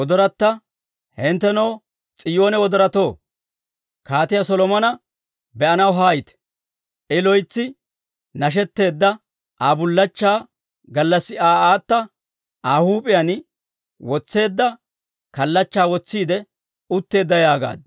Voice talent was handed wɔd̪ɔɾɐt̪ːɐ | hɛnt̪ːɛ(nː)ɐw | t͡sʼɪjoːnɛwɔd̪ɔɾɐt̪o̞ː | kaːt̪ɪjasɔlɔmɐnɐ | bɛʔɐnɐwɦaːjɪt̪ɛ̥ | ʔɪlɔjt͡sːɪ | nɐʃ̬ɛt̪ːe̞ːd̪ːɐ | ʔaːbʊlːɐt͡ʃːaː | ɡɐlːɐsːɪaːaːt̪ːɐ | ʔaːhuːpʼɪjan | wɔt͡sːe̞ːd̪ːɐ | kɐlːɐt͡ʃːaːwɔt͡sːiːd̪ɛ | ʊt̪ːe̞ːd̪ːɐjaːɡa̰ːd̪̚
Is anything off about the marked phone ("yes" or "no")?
yes